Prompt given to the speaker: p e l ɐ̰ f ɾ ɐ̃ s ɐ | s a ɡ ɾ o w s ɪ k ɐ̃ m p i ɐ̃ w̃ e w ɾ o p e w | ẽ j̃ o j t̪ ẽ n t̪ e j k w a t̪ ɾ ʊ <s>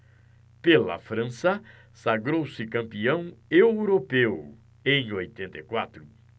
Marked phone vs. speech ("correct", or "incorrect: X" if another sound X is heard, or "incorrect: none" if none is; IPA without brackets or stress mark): incorrect: none